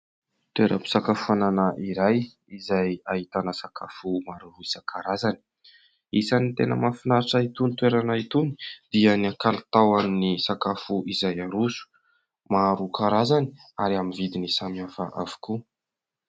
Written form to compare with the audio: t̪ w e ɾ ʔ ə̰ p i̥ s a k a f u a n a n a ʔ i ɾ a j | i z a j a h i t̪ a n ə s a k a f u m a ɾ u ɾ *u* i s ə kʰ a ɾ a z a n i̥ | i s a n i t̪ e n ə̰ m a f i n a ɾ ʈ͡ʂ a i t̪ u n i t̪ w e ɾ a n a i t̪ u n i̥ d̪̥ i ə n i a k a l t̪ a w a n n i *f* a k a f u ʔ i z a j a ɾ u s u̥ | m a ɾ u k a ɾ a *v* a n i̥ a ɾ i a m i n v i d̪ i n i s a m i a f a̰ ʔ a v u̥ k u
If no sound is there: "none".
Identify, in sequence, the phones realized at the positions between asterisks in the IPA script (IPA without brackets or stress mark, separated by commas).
u, s, z